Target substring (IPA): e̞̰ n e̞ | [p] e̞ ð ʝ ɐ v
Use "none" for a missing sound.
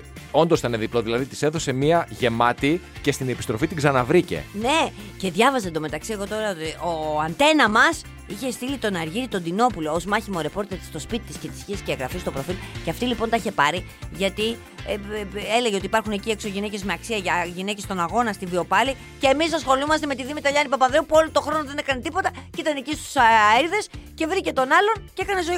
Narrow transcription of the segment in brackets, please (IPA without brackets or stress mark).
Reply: c